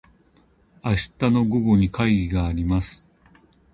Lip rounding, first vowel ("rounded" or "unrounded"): unrounded